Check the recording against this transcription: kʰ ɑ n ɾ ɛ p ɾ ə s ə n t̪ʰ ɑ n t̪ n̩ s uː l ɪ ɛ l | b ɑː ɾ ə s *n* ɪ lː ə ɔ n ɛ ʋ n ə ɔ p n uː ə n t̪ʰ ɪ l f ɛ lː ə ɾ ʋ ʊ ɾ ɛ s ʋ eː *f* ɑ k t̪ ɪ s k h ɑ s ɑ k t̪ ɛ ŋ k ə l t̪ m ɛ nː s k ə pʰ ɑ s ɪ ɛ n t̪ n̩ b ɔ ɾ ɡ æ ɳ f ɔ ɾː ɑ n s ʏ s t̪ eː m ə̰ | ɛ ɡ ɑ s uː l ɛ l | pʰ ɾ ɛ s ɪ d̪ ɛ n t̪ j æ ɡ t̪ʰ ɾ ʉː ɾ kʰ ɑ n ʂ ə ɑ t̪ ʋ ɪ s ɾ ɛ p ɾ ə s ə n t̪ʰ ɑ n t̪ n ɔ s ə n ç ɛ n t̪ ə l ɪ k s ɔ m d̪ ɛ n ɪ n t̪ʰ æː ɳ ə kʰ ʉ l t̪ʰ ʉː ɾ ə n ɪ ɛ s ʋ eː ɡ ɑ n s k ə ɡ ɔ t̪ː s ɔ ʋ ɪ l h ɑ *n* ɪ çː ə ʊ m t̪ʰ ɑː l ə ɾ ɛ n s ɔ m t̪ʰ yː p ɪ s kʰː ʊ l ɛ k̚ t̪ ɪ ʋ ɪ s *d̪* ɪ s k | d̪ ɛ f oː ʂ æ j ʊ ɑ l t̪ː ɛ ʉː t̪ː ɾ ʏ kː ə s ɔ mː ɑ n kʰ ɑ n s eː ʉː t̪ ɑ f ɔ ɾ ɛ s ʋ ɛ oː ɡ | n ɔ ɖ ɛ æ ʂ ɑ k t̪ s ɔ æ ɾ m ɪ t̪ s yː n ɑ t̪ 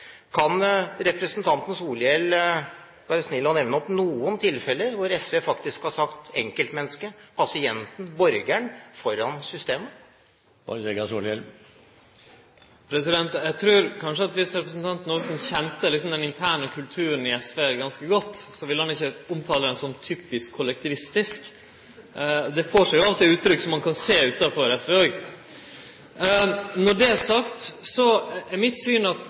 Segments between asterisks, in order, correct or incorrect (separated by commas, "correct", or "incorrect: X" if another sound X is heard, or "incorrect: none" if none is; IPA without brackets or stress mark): correct, correct, correct, incorrect: t̪